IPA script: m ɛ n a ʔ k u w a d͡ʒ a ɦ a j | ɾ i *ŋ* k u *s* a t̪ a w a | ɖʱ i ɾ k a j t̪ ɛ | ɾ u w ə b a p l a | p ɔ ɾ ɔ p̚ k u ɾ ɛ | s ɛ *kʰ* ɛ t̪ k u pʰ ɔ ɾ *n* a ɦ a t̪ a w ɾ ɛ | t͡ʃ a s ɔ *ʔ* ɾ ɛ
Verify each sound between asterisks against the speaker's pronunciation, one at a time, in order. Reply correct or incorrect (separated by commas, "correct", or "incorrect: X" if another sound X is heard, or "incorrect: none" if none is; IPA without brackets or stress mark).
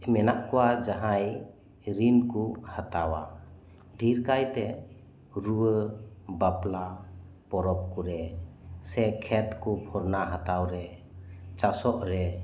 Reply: incorrect: n, incorrect: h, correct, correct, correct